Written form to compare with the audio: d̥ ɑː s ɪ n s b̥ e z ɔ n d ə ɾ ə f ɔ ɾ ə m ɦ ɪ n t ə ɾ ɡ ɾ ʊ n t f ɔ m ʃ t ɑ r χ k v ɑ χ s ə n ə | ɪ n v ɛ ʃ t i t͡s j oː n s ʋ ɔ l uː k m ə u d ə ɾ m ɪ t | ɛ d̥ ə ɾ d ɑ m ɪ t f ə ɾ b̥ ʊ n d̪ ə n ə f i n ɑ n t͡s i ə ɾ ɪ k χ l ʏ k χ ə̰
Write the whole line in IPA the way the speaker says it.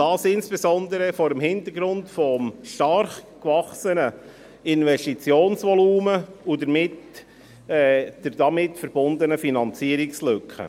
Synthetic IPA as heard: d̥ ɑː s ɪ n s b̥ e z ɔ n d ə ɾ ə f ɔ ɾ ə m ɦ ɪ n t ə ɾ ɡ ɾ ʊ n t f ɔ m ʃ t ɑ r χ k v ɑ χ s ə n ə | ɪ n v ɛ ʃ t i t͡s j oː n s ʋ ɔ l uː m ə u d ə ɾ m ɪ t | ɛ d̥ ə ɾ d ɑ m ɪ t f ə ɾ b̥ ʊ n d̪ ə n ə f i n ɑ n t͡s i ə ɾ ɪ k s l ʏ k χ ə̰